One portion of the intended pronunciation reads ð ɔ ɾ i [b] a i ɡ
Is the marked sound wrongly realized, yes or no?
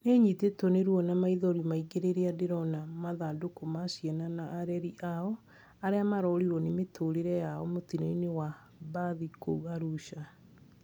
yes